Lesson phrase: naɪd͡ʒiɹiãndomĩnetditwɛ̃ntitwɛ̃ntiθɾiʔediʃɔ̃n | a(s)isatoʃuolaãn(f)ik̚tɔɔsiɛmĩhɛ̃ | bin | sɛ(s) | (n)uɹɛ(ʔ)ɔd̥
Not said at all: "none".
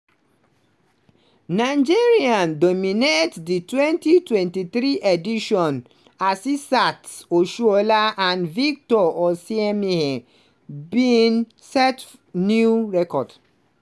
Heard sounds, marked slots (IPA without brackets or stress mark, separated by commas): s, v, t, n, k